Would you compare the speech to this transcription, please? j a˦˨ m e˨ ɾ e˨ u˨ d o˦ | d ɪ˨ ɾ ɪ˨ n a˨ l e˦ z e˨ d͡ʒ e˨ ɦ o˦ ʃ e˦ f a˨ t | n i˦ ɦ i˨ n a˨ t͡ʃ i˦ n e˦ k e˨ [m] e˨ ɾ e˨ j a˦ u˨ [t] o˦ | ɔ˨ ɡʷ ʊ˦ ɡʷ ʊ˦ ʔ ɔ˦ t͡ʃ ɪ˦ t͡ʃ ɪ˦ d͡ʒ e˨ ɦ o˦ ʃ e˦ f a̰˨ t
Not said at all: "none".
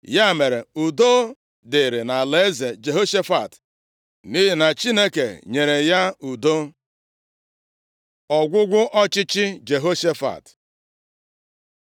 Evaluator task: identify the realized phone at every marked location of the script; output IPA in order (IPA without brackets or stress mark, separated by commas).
ɲ, d